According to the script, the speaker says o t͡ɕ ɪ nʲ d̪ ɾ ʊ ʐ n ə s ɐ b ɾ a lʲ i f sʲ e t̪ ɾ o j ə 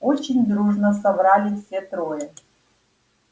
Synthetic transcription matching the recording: o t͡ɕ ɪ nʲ d̪ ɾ u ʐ n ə s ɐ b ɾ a lʲ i f sʲ e t̪ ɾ o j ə